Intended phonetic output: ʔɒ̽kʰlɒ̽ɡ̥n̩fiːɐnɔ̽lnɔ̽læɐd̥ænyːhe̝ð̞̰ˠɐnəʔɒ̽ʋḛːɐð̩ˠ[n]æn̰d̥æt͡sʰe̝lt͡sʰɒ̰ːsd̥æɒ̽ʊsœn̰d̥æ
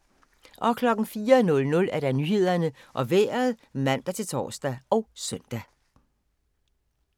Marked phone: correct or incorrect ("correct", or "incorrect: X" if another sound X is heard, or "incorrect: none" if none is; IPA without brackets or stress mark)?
incorrect: m